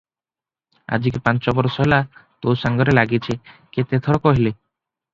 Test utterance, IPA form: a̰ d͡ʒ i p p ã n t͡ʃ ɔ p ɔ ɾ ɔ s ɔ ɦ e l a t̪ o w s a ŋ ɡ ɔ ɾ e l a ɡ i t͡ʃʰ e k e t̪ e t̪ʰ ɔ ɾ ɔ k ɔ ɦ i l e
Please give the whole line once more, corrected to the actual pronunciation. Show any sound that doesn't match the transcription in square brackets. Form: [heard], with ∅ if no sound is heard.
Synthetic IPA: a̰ d͡ʒ i [k] p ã n t͡ʃ ɔ [b] ɔ ɾ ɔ s ɔ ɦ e l a t̪ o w s a ŋ ɡ ɔ ɾ e l a ɡ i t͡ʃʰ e k e t̪ e t̪ʰ ɔ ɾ ɔ k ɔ ɦ i l e